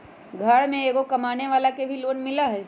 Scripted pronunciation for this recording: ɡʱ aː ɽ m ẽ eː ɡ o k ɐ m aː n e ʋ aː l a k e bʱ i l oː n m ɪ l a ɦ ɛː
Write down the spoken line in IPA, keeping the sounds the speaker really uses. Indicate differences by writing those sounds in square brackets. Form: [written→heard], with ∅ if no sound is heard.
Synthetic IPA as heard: ɡʱ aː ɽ m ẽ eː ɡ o k ɐ m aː n e ʋ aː l a k e bʱ i l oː n m ɪ l a ɦ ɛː